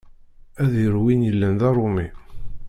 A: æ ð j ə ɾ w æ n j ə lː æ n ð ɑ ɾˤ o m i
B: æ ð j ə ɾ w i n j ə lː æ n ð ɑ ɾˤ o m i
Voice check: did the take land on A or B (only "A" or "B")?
B